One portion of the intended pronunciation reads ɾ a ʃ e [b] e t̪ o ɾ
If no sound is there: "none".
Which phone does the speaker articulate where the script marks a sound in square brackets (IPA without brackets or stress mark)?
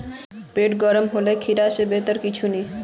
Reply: b